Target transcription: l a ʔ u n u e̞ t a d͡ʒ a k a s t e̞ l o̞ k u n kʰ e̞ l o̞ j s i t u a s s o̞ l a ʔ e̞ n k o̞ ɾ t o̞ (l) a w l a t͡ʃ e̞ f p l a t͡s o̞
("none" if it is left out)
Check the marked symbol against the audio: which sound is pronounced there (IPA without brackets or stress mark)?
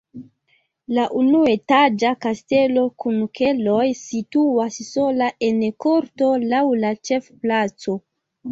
l